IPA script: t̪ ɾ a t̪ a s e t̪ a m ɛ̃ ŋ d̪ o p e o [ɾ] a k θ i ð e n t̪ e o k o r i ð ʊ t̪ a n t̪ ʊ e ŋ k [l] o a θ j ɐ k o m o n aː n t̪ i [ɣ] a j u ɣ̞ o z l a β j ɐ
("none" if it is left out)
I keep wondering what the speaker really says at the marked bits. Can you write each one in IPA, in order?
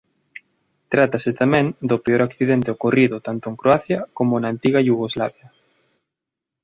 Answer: ɾ, ɾ, ɣ

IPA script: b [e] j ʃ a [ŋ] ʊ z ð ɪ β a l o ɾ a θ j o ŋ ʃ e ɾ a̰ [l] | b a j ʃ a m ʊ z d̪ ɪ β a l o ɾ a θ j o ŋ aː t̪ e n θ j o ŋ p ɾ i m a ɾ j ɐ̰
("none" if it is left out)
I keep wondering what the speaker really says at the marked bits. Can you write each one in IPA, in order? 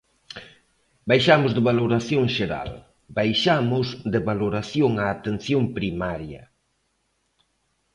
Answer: a, m, l

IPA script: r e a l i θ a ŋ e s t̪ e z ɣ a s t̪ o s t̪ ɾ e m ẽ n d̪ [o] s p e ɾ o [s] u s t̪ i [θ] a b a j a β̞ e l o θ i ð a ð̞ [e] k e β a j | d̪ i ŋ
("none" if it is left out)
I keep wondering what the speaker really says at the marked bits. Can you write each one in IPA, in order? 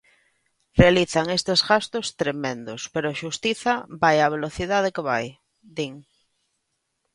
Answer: o, ʃ, θ, e

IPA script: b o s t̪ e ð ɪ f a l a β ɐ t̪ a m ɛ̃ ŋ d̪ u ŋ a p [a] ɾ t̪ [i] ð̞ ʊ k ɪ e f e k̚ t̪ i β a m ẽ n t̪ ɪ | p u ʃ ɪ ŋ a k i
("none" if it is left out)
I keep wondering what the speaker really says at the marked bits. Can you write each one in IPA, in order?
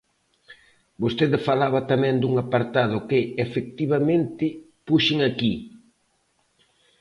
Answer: a, a

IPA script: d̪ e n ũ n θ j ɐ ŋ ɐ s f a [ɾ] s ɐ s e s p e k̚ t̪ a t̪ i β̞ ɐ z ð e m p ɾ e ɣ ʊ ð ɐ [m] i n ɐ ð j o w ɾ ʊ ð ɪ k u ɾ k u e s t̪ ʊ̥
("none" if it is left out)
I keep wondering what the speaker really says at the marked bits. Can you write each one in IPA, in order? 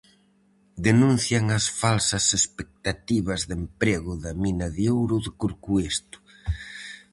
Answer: l, m

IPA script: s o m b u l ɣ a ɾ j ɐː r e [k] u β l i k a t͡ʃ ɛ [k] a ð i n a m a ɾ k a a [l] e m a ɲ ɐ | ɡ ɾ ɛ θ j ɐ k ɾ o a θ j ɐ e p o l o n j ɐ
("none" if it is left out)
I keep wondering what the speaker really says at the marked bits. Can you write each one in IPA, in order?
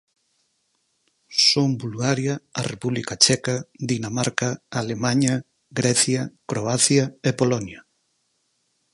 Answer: p, k, l

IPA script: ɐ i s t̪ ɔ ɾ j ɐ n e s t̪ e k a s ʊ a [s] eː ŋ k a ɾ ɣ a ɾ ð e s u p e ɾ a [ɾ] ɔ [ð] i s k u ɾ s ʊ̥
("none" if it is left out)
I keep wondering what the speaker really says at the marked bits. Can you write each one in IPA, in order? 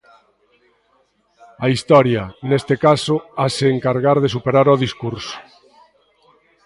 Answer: s, ɾ, ð

